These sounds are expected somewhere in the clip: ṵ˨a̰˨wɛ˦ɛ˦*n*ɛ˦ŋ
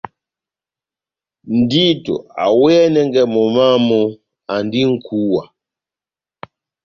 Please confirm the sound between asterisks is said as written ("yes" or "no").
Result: yes